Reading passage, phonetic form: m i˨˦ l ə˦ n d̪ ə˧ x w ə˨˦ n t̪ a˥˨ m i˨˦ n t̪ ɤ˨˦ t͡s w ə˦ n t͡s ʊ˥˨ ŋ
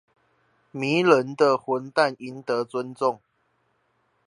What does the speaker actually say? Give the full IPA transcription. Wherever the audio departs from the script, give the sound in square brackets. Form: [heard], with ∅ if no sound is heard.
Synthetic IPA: m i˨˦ l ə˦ n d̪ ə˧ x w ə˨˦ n t̪ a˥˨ [n] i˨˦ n t̪ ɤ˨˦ t͡s w ə˦ n t͡s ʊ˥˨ ŋ